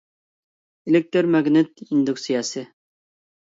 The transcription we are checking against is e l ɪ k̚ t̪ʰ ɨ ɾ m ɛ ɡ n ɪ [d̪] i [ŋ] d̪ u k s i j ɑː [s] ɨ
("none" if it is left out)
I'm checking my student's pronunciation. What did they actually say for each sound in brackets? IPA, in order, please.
t̪, n, s

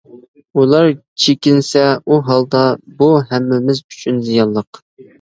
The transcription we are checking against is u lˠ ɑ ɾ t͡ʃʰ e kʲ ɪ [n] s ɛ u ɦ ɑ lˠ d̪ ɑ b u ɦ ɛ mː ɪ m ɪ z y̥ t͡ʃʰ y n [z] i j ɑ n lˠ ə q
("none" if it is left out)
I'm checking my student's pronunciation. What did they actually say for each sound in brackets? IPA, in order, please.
n, z

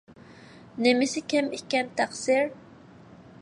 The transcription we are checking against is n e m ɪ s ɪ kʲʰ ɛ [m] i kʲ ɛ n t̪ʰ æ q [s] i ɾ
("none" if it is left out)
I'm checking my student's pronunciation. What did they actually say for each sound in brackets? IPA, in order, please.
m, s

